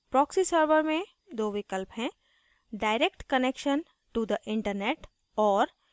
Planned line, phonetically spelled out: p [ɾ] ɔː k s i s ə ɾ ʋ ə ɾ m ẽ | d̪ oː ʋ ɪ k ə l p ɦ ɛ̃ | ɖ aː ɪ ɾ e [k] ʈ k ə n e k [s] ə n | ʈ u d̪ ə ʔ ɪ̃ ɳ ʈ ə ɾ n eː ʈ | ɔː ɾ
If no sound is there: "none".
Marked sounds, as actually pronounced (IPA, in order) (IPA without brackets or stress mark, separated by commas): ɾ, k, ʃ